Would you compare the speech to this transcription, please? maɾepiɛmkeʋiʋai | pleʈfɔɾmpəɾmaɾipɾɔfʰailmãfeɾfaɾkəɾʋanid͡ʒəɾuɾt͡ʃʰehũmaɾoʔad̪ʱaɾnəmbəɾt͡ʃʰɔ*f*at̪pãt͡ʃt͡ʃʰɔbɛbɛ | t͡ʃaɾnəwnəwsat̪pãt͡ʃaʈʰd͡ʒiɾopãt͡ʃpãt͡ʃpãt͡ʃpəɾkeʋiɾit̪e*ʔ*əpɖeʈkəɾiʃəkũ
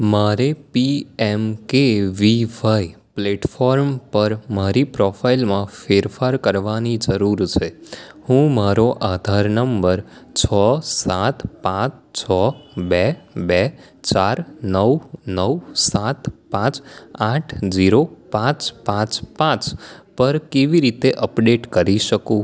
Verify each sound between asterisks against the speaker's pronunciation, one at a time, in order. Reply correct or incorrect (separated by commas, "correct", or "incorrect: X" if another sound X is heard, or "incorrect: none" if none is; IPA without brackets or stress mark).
incorrect: s, correct